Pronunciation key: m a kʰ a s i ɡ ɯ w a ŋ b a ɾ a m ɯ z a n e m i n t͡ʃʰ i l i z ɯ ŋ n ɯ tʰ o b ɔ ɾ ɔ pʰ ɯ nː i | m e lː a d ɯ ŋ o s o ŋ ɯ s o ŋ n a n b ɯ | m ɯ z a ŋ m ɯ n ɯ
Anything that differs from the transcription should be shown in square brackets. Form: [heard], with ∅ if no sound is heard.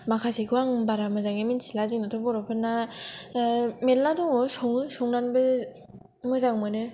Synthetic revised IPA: m a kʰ a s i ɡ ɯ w a ŋ b a ɾ a m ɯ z a [ŋ] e m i n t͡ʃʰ i l [a] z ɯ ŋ n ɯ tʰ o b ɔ ɾ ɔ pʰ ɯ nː [a] | m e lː a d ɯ ŋ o s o ŋ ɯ s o ŋ n a n b ɯ | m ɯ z a ŋ m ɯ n ɯ